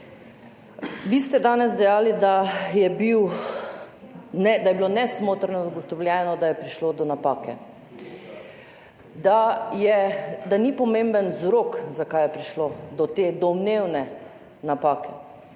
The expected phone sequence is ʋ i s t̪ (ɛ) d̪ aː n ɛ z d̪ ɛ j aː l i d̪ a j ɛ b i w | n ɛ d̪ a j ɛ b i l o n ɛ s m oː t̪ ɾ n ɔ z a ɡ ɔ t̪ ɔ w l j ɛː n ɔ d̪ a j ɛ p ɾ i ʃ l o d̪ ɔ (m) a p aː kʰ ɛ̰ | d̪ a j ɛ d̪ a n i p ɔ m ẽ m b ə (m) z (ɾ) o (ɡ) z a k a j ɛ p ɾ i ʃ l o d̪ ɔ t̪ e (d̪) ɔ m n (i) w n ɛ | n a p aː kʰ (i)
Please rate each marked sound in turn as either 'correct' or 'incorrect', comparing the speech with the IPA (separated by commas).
correct, incorrect, incorrect, correct, incorrect, correct, incorrect, incorrect